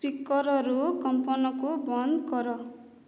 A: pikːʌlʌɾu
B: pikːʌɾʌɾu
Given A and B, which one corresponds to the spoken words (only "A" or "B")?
B